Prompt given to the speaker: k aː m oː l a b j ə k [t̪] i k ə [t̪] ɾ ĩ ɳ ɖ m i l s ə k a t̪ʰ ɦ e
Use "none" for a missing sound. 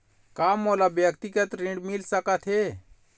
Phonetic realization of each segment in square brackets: t̪, t̪

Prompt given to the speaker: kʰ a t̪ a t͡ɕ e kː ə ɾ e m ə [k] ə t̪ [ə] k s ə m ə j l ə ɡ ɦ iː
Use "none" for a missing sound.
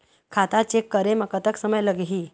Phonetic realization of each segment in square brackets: k, ə

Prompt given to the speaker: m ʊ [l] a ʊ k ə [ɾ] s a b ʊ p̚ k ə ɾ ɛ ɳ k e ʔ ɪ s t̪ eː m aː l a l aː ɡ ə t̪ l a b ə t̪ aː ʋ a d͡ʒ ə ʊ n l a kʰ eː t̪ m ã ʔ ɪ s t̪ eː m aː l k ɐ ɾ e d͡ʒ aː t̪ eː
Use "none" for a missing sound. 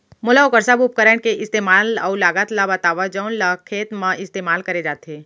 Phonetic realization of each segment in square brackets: l, ɾ

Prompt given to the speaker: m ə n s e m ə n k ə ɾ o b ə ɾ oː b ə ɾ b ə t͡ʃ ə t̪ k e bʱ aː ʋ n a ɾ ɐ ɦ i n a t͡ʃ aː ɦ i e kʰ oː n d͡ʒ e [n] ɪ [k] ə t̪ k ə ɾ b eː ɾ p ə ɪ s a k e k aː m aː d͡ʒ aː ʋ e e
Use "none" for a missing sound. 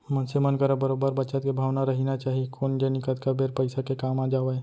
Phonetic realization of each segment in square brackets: n, k

